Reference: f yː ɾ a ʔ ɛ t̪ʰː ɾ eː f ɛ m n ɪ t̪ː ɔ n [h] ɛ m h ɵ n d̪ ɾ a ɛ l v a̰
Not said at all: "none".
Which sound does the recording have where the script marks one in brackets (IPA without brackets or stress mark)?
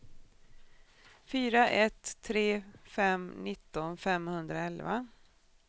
f